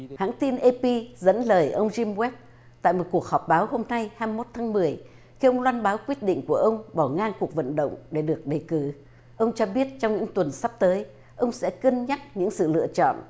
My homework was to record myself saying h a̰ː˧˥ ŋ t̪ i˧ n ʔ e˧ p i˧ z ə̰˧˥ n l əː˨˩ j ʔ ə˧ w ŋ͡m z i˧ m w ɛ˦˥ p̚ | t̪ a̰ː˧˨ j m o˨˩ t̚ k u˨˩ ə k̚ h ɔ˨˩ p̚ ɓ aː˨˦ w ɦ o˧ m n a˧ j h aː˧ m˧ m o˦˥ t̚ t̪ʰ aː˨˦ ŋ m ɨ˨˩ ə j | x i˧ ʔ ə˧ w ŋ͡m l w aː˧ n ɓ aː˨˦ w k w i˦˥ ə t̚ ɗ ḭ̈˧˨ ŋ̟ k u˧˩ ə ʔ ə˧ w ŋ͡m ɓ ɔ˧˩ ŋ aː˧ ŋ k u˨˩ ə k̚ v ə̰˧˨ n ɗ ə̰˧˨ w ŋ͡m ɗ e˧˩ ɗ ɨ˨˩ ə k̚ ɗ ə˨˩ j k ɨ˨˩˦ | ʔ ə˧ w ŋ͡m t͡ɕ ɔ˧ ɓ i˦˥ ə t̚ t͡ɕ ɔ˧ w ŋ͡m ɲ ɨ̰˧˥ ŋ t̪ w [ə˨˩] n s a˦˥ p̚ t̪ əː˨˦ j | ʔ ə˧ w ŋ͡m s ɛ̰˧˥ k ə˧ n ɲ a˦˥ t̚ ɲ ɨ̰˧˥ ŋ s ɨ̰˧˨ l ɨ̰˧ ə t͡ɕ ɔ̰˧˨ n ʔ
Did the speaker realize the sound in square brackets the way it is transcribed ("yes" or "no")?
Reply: yes